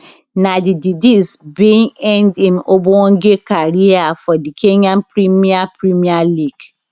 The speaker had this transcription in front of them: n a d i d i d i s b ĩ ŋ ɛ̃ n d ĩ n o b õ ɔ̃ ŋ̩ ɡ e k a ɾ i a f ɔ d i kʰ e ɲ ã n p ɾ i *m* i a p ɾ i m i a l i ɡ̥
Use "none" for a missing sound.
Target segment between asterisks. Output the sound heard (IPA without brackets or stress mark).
m